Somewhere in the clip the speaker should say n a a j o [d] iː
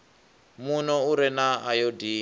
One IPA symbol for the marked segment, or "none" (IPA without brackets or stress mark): d